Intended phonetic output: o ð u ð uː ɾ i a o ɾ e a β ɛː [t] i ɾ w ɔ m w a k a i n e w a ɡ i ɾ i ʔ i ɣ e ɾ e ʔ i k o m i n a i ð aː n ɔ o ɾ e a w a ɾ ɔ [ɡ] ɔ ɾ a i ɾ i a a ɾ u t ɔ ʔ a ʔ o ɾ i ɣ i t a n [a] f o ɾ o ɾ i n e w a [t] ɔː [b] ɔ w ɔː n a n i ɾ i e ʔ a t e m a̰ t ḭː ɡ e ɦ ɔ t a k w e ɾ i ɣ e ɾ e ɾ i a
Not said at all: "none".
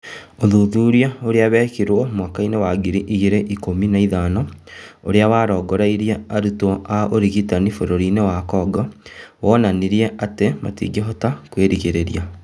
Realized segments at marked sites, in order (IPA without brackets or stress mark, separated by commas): k, ɡ, i, k, ɡ